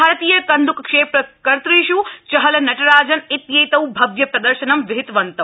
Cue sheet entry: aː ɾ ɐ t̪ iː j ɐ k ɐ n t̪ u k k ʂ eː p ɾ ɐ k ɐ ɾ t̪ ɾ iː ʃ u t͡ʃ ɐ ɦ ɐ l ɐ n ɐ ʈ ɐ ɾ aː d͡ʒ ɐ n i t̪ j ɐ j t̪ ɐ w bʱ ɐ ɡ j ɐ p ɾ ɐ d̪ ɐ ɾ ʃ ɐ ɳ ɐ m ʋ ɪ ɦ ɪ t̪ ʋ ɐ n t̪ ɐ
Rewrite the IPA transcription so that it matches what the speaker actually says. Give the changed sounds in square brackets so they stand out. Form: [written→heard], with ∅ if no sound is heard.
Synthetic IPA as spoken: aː ɾ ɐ t̪ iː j ɐ k ɐ n [t̪→d̪] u k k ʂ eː p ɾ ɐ k ɐ ɾ t̪ ɾ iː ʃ u t͡ʃ ɐ ɦ ɐ l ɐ n ɐ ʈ ɐ ɾ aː d͡ʒ ɐ n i t̪ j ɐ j t̪ ɐ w bʱ ɐ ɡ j ɐ p ɾ ɐ d̪ ɐ ɾ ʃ ɐ [ɳ→n] ɐ m ʋ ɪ ɦ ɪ t̪ ʋ ɐ n t̪ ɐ